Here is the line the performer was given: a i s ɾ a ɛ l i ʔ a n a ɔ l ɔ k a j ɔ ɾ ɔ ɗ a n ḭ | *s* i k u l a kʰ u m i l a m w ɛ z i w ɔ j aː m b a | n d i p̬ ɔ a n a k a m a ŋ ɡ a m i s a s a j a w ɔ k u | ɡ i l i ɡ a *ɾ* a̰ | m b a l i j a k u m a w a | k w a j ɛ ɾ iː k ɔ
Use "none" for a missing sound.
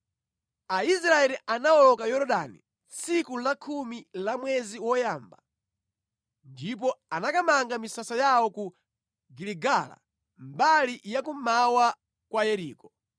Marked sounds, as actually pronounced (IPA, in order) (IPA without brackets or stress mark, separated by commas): s, l